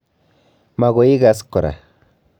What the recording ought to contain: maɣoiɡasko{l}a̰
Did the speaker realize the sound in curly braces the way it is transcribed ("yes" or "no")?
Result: no